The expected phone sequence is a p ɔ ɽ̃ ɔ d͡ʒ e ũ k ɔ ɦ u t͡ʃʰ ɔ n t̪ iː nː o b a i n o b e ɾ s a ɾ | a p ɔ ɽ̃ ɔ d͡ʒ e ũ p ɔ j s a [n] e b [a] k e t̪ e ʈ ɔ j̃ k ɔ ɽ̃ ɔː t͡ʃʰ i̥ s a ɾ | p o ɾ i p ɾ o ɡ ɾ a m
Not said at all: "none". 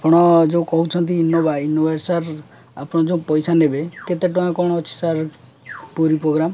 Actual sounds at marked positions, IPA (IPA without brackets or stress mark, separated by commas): n, e